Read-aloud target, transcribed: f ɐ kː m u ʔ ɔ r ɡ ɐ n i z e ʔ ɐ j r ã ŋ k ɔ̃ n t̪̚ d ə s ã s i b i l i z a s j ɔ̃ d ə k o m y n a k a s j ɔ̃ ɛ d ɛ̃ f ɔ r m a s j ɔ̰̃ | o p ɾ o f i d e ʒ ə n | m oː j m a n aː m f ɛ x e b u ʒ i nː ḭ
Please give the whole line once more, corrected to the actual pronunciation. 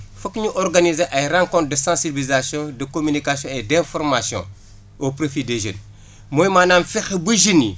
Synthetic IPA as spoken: f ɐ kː ɲ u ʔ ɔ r ɡ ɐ n i z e ʔ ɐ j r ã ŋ k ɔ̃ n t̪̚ d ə s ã s i b i l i z a s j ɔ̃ d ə k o m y n i k a s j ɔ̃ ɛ d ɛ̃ f ɔ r m a s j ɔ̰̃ | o p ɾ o f i d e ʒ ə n | m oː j m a n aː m f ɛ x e b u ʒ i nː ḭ

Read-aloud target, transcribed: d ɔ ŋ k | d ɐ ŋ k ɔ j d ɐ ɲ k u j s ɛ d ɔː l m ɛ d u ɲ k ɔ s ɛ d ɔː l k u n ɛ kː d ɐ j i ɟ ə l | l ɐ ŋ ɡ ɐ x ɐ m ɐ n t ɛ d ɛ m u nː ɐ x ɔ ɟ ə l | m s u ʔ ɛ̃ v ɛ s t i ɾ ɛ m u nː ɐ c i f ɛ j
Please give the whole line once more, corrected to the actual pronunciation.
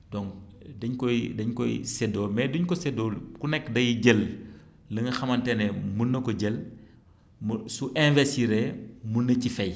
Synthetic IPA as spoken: d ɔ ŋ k | d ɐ ɲ k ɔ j d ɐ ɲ k ɔ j s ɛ d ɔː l m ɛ d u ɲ k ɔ s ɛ d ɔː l k u n ɛ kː d ɐ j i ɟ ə l | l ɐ ŋ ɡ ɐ x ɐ m ɐ n t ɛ n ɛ m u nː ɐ k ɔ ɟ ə l | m s u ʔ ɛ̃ v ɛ s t i ɾ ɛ m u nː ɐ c i f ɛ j

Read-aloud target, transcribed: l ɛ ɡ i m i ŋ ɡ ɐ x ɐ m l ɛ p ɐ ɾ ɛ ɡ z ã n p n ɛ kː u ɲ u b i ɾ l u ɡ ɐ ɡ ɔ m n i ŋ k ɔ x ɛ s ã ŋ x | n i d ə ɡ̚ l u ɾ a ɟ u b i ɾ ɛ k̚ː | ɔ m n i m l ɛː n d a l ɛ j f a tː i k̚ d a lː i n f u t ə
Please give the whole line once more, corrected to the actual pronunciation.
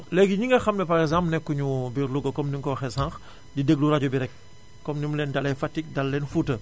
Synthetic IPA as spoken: l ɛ ɡ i ɲ i ŋ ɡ ɐ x ɐ m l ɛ p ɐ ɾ ɛ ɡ z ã m p n ɛ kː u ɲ u b i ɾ l u ɡ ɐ k ɔ m n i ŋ k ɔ x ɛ s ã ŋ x | d i d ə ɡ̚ l u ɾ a ɟ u b i ɾ ɛ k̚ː | ɔ m n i m l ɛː n d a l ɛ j f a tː i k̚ d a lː ɛ n f u t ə

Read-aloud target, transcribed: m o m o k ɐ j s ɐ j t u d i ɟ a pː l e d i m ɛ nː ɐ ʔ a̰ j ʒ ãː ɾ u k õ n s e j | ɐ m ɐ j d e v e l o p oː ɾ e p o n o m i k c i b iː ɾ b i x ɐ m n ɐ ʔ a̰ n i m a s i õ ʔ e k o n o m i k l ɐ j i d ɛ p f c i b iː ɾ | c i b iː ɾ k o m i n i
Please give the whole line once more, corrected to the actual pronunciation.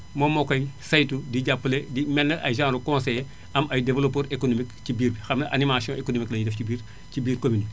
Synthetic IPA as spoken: m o m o k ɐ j s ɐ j t u d i ɟ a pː l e d i m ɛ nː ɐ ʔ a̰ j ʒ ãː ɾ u k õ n s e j | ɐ m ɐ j d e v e l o p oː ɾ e k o n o m i k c i b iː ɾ b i x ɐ m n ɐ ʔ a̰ n i m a s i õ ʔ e k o n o m i k l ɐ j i d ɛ f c i b iː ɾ | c i b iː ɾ k o m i n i

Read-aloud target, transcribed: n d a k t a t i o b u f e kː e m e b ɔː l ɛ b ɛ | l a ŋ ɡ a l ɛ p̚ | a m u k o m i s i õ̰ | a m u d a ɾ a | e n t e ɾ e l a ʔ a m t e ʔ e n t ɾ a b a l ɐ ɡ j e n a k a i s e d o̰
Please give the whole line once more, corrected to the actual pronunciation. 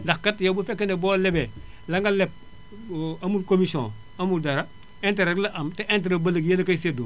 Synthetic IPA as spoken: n d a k k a t j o b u f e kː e n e b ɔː l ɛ b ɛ | l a ŋ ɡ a l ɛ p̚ | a m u k o m i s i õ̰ | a m u d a ɾ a | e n t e ɾ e l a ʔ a m t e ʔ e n t ɾ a b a l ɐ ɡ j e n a k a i s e d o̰

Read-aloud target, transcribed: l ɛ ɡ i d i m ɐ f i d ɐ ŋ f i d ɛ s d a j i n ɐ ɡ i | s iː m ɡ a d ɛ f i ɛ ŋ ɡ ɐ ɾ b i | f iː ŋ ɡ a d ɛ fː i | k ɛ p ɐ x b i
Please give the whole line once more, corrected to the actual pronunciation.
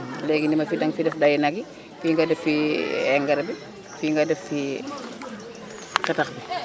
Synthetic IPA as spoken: l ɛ ɡ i n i m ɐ f i d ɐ ŋ f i d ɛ f d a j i n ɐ ɡ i | f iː ŋ ɡ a d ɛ f i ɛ ŋ ɡ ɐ ɾ b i | f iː ŋ ɡ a d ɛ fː i | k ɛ t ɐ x b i

